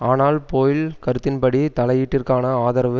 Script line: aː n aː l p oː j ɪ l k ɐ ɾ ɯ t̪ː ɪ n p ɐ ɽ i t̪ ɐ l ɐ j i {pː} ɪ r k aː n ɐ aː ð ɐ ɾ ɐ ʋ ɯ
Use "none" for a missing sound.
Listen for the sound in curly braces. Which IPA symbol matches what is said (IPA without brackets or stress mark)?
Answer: ʈː